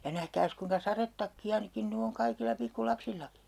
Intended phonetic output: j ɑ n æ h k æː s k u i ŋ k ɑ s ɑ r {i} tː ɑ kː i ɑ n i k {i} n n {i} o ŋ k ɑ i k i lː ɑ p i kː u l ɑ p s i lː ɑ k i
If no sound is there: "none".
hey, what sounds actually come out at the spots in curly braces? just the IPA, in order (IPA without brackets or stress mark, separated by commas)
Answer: e, i, y